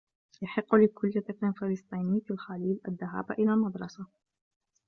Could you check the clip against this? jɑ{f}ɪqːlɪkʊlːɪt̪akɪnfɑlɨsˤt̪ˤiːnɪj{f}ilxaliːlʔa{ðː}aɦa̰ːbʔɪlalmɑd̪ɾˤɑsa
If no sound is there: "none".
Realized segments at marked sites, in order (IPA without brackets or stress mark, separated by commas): ħ, f, ðː